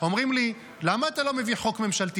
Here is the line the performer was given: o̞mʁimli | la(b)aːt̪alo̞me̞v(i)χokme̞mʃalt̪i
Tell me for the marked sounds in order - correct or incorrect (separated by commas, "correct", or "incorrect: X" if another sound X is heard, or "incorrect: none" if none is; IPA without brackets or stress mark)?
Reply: incorrect: m, correct